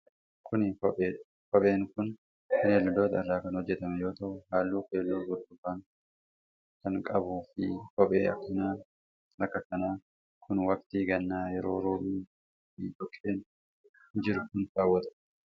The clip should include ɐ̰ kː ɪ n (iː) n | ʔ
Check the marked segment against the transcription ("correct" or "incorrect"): incorrect